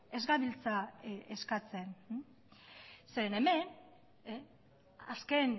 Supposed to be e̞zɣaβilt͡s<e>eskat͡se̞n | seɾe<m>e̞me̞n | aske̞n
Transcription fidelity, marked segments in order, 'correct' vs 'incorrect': incorrect: a, incorrect: n

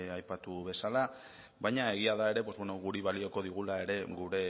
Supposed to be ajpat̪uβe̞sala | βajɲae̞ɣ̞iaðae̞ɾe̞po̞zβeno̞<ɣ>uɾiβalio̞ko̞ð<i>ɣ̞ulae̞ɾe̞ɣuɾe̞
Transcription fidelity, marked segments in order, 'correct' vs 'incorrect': correct, correct

